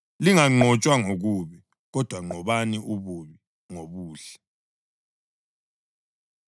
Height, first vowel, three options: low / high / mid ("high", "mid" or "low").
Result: high